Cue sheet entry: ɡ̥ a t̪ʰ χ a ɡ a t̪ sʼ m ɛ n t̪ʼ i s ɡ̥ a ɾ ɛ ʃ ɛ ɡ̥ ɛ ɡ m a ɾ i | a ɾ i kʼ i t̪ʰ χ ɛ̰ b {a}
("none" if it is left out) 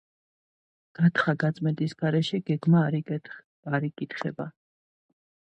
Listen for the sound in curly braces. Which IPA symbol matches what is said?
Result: a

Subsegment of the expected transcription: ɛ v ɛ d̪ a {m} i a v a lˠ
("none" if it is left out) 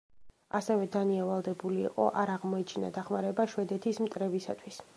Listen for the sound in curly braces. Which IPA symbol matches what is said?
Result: n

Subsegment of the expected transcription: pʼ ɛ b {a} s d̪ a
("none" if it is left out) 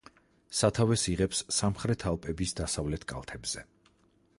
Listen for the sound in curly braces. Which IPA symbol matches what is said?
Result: i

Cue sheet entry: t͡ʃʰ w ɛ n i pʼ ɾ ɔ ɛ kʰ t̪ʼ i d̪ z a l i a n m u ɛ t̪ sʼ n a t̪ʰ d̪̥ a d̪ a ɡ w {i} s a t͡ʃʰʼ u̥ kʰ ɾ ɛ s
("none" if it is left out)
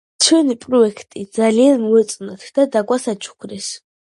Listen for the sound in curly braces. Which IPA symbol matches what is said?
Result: a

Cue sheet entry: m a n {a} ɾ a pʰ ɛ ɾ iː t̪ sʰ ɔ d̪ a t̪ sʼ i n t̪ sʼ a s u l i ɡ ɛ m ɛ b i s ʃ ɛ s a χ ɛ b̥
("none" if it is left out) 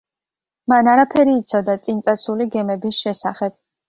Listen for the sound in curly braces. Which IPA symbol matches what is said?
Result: a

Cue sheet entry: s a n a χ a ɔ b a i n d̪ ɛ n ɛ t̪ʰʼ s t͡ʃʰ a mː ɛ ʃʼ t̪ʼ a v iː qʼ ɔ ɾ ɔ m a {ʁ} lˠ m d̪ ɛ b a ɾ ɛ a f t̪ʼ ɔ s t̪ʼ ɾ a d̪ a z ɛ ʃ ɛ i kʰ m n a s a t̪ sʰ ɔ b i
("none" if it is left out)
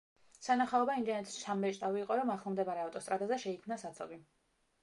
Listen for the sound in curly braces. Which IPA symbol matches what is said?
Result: χ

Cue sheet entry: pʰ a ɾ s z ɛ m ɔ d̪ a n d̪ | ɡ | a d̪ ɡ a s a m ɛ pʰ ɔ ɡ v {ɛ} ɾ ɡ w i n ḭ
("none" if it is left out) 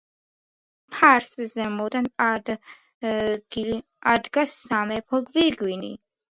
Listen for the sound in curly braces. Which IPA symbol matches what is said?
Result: i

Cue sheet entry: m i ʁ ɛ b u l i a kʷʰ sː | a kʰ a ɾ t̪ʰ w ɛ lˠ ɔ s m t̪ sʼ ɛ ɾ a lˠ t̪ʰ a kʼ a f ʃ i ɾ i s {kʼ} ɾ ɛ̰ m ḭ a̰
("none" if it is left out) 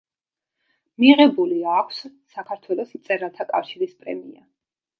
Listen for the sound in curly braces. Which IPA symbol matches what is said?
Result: pʼ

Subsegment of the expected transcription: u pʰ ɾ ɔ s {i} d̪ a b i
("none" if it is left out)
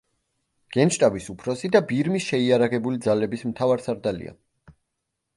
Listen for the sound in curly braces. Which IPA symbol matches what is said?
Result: i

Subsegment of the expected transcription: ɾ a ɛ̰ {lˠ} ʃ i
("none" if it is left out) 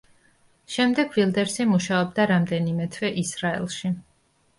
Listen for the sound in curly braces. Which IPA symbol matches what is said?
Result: lˠ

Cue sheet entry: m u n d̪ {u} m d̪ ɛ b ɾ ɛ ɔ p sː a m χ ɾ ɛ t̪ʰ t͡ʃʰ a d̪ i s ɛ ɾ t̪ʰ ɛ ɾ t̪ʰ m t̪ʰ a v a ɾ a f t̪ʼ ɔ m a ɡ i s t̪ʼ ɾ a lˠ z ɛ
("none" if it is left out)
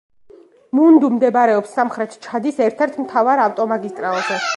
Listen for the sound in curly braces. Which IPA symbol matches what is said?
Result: u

